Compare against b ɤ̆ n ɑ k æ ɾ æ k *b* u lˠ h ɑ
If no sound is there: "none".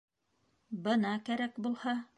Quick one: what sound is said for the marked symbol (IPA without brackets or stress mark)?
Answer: b